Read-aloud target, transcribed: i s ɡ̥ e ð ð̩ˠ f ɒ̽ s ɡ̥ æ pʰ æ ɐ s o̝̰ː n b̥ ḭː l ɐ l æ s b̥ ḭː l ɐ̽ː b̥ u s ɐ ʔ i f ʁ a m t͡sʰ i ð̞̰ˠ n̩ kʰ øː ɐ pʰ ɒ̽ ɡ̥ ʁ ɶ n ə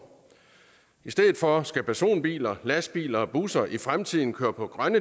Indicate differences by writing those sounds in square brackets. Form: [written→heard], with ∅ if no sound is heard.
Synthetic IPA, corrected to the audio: i s [ɡ̥→d̥] e ð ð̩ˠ f ɒ̽ s ɡ̥ æ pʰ æ ɐ s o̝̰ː n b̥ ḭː l ɐ l æ s b̥ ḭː l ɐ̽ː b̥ u s ɐ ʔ i f ʁ a m t͡sʰ i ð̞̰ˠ n̩ kʰ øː ɐ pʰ ɒ̽ ɡ̥ ʁ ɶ n ə